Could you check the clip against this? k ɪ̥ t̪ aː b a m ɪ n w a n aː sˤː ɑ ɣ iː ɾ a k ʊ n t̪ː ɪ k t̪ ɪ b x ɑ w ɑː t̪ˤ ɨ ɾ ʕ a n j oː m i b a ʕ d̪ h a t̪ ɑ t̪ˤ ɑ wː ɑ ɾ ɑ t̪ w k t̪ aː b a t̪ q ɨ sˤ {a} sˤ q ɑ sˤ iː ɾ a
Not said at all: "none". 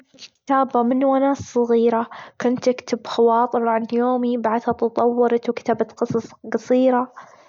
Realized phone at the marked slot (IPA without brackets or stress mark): ɑ